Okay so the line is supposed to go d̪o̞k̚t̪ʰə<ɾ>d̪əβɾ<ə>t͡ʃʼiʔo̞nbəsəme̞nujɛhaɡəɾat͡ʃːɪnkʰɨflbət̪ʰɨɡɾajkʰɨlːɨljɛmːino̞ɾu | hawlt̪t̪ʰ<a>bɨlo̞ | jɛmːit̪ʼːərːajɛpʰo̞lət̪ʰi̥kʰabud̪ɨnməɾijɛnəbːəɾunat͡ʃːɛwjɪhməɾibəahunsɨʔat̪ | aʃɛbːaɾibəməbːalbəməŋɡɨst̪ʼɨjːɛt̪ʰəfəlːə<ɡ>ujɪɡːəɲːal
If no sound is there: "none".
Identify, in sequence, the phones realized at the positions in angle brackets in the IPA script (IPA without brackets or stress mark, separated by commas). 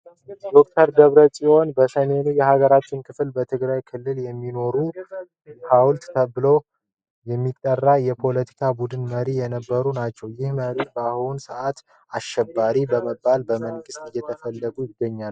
ɾ, ə, ə, ɡ